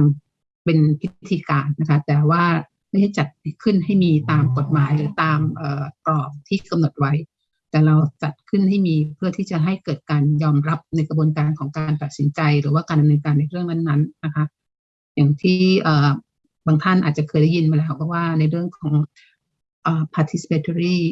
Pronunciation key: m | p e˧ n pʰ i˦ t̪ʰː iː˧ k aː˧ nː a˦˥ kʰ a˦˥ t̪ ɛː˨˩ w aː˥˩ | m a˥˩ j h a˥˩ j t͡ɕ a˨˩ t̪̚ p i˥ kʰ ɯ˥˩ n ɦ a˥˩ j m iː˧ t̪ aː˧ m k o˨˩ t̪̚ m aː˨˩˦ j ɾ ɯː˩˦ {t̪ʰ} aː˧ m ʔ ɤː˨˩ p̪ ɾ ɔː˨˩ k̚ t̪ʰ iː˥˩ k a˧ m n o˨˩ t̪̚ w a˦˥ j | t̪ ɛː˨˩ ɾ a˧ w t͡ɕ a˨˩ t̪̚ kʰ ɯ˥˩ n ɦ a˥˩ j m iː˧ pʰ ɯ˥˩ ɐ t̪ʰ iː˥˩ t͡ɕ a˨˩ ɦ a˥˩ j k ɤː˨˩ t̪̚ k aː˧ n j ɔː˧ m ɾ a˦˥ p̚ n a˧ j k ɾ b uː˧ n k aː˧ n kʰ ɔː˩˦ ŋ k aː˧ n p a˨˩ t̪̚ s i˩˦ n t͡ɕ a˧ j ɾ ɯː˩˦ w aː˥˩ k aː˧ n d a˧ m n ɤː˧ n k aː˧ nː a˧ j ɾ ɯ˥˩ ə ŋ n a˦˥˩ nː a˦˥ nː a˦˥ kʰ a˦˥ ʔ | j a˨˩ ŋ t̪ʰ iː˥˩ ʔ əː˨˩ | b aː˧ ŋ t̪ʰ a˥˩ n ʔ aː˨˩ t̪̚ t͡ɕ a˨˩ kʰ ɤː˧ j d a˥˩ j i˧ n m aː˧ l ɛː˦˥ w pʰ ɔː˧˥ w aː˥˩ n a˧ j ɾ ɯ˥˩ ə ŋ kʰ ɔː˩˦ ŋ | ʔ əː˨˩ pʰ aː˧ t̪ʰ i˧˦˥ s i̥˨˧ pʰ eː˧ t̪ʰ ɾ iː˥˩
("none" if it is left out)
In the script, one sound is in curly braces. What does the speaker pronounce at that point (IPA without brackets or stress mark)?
t̪